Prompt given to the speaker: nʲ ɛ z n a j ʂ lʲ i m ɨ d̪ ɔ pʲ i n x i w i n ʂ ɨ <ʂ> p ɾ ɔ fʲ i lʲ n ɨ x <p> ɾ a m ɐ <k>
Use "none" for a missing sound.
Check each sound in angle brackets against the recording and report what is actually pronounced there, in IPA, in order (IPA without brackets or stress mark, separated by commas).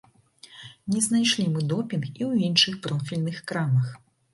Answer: x, k, x